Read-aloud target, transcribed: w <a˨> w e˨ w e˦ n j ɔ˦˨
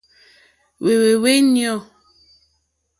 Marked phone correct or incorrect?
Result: incorrect: e˨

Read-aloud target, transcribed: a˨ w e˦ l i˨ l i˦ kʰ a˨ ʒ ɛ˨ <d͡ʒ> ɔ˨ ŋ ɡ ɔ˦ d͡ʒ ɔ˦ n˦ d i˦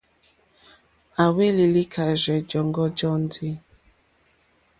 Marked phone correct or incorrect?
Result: correct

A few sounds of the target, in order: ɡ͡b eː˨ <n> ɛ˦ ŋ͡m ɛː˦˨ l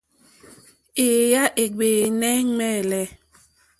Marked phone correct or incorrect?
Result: correct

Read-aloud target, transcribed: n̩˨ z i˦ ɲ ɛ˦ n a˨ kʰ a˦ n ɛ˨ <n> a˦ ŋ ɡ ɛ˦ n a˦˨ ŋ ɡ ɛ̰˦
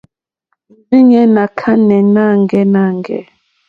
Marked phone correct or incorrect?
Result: correct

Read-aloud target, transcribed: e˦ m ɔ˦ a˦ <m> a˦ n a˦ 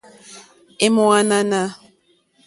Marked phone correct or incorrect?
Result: incorrect: n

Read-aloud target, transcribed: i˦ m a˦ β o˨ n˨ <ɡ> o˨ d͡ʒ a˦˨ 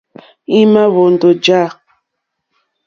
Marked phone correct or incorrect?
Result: incorrect: d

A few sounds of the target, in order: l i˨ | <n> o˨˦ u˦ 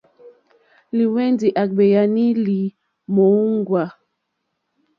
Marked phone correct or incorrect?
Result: incorrect: m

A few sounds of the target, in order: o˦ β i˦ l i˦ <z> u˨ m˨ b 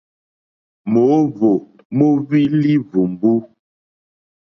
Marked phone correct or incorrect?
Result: incorrect: v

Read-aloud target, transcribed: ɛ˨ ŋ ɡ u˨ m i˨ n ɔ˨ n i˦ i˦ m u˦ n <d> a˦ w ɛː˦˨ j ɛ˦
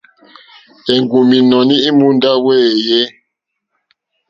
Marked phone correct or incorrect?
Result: correct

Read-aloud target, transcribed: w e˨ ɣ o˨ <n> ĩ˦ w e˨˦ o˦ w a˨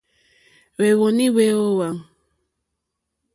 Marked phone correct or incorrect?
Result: correct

